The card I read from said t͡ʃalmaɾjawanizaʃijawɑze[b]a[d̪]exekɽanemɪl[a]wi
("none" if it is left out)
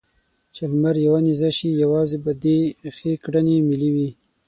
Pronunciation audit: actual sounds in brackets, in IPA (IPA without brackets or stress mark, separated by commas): b, d̪, i